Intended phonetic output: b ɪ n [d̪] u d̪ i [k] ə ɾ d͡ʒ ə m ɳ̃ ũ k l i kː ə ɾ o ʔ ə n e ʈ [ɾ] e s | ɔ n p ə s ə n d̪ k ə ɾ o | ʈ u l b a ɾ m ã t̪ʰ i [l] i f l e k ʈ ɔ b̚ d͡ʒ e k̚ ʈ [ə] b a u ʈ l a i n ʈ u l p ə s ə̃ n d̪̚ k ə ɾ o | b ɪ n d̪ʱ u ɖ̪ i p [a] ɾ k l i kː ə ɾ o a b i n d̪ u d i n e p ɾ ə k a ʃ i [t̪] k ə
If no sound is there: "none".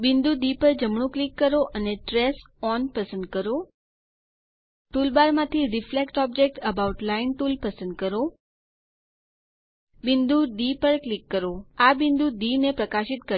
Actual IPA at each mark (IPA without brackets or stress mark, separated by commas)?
d̪, p, ɾ, ɾ, ə, ə, t̪